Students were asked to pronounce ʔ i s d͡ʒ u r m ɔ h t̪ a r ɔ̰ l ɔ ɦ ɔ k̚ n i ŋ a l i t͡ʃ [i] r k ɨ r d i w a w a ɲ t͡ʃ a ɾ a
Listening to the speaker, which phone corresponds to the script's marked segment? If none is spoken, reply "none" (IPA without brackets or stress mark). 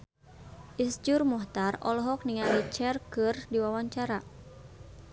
ɛ